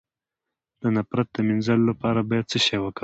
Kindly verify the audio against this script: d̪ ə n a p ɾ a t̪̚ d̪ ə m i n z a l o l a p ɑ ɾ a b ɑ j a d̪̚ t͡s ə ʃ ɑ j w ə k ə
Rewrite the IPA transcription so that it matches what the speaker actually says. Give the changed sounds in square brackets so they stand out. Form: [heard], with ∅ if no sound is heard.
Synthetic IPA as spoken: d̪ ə n a p ɾ a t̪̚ d̪ ə m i n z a l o l a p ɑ ɾ a b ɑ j a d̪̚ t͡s ə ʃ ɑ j w ə k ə

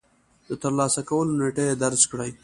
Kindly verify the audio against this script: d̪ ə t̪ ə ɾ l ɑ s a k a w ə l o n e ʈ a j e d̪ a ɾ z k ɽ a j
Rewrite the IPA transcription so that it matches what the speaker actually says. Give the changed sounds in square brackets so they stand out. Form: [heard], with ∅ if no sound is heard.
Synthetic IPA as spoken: d̪ ə t̪ ə ɾ l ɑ s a k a w ə l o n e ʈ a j e d̪ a ɾ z k ɽ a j

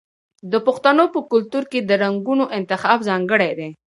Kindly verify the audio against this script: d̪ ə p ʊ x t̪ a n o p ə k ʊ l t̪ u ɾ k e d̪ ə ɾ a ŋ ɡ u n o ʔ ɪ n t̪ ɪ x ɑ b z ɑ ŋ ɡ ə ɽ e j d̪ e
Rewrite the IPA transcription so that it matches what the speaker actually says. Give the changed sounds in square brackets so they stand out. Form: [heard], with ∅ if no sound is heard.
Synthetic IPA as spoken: d̪ ə p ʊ x t̪ a n o p ə k ʊ l t̪ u ɾ k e d̪ ə ɾ a ŋ ɡ u n o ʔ ɪ n t̪ ɪ x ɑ b z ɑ ŋ ɡ ə ɽ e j d̪ e

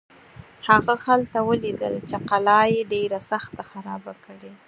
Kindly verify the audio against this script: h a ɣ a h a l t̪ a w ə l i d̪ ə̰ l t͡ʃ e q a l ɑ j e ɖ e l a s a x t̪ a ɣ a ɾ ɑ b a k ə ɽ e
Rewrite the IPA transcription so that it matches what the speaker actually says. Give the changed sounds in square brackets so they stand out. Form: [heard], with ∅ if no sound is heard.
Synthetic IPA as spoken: h a ɣ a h a l t̪ a w ə l i d̪ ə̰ l t͡ʃ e q a l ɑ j e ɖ e [ɾ] a s a x t̪ a [x] a ɾ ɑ b a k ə ɽ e

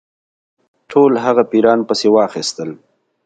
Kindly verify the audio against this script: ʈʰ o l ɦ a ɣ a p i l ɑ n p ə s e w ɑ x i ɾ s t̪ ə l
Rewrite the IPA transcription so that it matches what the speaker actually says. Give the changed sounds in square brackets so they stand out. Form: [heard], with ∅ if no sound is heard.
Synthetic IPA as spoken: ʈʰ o l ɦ a ɣ a p i [ɾ] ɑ n p ə s e w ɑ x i [∅] s t̪ ə l

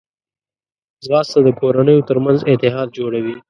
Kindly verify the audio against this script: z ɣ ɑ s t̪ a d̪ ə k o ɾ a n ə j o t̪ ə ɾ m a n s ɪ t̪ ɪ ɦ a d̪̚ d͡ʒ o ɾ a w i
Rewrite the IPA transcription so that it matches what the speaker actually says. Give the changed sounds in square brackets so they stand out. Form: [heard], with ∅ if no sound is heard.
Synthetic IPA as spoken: z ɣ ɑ s t̪ a d̪ ə k o ɾ a n ə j o t̪ ə ɾ m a n [z] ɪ t̪ ɪ ɦ [ɑ] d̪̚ d͡ʒ o [ɽ] a w i

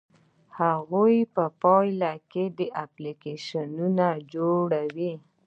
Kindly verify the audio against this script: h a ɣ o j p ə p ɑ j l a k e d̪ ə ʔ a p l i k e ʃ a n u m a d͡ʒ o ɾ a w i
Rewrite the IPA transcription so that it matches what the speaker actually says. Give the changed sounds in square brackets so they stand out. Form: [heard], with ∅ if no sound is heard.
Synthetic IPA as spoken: h a ɣ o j p ə p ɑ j l a k e d̪ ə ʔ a p l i k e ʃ a n u [n] a d͡ʒ o [ɽ] a w i

